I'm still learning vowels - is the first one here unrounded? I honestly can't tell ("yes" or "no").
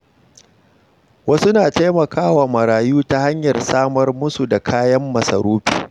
yes